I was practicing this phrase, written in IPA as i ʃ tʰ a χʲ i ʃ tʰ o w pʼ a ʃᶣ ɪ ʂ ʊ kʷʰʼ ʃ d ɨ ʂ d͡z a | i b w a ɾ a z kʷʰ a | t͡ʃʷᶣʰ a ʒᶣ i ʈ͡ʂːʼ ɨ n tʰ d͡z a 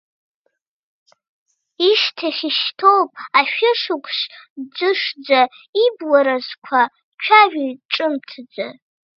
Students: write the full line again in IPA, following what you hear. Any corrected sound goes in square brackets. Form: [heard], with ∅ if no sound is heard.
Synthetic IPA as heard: i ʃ tʰ a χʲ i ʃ tʰ o w pʼ a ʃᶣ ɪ ʂ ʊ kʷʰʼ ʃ [d͡z] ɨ ʂ d͡z a | i b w a ɾ a z kʷʰ a | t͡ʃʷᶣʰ a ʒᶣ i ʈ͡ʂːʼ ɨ [m] tʰ d͡z a